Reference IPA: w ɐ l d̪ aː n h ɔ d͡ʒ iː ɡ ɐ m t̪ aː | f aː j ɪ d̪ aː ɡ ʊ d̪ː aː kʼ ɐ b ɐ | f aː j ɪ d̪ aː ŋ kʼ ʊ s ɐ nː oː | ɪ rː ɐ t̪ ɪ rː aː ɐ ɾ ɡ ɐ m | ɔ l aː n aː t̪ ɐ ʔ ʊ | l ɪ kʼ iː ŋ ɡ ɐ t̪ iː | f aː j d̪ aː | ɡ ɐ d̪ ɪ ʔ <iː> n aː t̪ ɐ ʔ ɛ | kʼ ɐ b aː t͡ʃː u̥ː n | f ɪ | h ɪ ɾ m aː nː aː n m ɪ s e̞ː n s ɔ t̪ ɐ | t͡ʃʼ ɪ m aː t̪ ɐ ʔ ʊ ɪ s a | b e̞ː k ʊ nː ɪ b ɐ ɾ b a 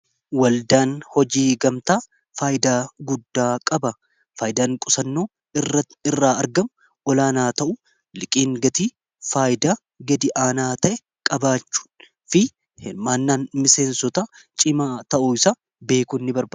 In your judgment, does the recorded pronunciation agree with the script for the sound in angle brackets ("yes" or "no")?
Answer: no